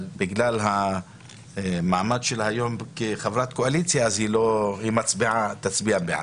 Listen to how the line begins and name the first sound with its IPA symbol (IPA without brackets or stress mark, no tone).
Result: b